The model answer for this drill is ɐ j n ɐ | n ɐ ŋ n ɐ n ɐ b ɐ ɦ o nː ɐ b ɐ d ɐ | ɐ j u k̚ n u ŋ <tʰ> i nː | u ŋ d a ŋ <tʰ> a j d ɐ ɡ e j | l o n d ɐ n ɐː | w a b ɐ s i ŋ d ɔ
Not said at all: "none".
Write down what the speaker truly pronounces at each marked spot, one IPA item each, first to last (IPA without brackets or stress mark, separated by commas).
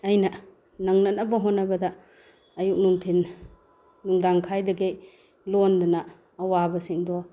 tʰ, kʰ